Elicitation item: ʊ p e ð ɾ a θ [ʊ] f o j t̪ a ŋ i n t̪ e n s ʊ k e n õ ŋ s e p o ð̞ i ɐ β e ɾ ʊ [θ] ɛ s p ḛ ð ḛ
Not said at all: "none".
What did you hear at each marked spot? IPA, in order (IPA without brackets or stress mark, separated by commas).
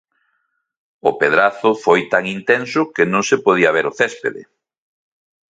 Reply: ʊ, θ